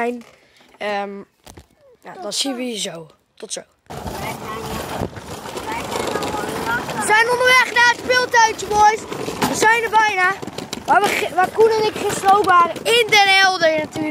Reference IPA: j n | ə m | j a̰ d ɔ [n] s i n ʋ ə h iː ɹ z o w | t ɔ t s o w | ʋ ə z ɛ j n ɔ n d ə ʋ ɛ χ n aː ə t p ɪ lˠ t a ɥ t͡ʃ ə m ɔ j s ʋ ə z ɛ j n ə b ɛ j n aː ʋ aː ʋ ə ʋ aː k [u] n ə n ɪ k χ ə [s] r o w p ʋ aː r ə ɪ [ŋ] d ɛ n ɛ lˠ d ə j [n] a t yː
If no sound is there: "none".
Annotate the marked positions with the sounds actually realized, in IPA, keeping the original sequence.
n, u, s, n, n

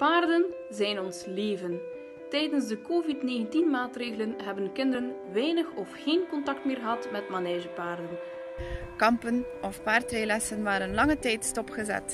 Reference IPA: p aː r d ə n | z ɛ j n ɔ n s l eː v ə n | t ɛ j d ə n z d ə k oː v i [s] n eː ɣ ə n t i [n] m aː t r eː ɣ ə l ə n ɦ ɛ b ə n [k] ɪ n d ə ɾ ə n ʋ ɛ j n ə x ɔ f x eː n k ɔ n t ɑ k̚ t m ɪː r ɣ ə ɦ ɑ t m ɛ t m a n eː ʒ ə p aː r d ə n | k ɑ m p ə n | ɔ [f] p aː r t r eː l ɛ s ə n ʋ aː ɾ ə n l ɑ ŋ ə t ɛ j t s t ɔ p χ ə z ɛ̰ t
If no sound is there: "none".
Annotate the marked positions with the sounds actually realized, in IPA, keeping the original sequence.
t, n, k, f

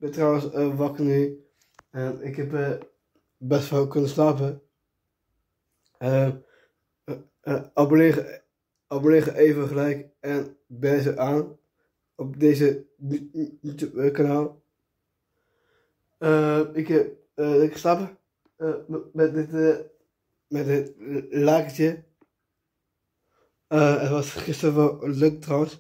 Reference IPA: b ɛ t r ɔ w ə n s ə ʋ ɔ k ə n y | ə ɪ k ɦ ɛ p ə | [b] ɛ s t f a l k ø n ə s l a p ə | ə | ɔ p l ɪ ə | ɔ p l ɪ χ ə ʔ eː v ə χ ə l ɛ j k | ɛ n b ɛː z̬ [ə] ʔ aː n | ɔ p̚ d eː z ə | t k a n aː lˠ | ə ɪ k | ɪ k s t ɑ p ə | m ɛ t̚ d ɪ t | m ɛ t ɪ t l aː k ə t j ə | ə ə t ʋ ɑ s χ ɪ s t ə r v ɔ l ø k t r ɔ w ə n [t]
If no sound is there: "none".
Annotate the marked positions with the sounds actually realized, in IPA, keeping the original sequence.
b, ə, s

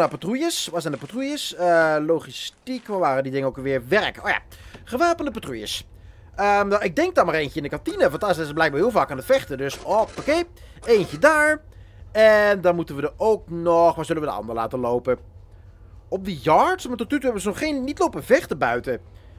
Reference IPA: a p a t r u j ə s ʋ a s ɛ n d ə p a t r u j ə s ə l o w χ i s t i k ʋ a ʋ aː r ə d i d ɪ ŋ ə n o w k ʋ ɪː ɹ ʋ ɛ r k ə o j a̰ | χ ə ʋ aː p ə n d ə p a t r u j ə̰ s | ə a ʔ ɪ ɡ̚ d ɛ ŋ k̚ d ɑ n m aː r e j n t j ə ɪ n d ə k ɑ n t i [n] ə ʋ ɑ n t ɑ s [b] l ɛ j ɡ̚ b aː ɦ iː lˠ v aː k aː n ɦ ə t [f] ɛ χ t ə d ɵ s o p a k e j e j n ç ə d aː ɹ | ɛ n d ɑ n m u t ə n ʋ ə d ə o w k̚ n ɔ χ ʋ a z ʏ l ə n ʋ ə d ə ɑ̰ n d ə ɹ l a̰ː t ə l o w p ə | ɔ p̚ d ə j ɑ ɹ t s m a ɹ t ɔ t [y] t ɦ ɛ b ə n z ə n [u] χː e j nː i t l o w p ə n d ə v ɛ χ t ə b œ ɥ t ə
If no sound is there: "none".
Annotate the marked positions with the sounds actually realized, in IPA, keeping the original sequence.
n, b, f, y, ɔ

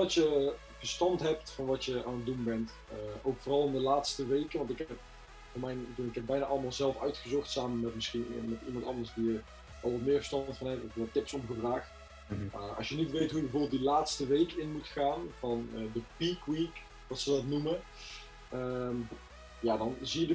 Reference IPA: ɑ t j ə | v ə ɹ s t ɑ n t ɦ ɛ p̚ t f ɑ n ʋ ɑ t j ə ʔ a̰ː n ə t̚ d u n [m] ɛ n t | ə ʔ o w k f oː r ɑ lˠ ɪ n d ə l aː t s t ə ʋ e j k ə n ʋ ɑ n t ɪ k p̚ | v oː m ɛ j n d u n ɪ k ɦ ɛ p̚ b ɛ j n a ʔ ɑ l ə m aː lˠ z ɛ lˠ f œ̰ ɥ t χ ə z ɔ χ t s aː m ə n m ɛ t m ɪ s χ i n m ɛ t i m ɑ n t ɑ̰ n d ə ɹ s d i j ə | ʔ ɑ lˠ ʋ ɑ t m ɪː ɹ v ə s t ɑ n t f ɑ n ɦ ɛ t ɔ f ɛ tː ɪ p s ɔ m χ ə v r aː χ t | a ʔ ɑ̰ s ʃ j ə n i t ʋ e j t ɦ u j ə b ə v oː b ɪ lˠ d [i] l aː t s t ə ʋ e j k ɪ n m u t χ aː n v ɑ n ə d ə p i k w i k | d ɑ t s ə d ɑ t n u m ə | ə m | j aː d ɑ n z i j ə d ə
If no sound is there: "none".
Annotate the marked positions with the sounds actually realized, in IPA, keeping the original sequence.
b, i

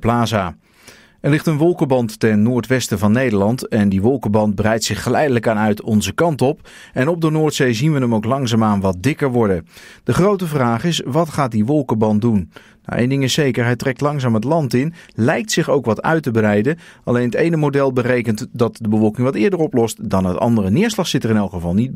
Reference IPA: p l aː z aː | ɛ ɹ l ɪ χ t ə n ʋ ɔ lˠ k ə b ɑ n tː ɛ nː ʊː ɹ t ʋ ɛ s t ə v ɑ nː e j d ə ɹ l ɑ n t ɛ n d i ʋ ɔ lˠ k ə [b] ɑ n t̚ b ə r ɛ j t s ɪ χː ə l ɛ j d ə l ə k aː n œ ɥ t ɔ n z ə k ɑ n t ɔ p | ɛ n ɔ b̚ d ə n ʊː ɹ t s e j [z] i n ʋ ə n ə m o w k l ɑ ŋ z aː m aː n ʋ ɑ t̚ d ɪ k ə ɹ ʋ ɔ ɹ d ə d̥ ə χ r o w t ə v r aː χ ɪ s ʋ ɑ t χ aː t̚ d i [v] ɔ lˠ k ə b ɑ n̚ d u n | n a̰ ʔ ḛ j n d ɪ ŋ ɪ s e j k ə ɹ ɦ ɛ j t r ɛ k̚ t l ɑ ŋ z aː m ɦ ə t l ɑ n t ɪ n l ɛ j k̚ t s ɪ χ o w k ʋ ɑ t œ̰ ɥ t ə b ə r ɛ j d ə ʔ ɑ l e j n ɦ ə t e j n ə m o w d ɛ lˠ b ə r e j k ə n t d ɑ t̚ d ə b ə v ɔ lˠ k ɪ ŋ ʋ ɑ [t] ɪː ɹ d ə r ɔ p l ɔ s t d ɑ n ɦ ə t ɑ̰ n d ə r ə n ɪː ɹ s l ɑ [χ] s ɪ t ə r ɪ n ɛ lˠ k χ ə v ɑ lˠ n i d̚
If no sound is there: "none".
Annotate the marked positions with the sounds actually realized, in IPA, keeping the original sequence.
b, z, ʋ, t, χ

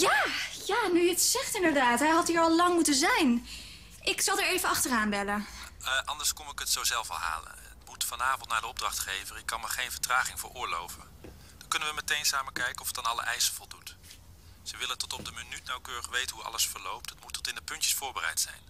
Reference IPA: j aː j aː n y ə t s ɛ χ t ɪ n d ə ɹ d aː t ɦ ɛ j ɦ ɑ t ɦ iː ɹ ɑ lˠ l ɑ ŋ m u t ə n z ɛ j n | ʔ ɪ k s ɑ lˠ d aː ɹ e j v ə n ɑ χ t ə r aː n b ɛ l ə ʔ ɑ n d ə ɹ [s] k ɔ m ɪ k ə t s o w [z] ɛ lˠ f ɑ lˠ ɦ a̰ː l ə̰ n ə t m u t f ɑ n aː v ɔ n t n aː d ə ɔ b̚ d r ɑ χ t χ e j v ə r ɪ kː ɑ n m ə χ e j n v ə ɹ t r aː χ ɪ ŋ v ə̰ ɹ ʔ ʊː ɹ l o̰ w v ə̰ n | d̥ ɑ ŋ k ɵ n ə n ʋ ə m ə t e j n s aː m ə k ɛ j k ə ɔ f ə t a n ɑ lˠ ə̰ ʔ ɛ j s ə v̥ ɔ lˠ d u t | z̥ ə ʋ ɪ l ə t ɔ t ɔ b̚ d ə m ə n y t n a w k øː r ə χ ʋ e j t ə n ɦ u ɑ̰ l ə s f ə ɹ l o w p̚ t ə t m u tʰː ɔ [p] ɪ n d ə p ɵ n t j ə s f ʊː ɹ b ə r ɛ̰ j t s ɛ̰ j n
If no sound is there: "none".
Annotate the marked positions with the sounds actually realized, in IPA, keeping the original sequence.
s, z, t

